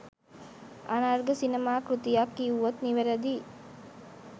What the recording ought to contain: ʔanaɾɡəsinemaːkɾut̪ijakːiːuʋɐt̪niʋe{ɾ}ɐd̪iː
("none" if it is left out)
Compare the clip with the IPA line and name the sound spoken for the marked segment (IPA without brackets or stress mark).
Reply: ɾ